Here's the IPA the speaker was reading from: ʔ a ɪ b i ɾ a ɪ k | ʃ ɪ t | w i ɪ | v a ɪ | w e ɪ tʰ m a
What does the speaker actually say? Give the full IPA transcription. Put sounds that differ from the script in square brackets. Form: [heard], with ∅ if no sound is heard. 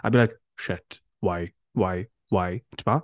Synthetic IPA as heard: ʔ a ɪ b i [l] a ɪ k | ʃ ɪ t | w [a] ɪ | [w] a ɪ | w [a] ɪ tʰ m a